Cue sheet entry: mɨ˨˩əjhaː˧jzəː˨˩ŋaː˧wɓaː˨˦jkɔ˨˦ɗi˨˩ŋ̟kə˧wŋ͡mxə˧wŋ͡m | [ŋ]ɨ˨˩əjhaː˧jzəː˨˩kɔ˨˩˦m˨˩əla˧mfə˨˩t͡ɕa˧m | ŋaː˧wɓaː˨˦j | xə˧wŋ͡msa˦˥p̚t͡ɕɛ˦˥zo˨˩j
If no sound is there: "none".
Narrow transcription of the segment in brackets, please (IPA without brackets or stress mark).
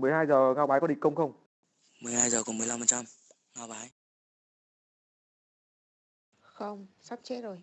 m